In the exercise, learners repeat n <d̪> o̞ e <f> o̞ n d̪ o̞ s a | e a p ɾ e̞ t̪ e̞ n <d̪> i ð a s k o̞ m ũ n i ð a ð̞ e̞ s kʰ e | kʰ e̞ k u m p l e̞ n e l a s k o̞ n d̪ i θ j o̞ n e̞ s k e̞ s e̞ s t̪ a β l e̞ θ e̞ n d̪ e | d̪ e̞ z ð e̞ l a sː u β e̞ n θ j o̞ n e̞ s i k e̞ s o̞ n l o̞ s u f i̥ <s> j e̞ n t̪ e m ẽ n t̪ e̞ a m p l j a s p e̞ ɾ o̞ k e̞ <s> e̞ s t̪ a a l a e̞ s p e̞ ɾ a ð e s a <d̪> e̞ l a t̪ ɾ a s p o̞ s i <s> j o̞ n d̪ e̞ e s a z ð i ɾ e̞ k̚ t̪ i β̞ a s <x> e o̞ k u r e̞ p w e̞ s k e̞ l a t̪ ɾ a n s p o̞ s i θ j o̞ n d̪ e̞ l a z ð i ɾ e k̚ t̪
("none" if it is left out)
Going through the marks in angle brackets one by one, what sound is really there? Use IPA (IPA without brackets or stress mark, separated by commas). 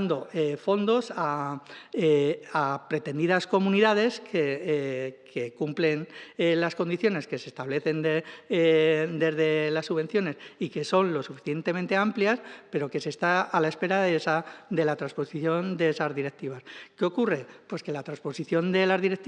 d̪, f, d̪, θ, s, d̪, θ, k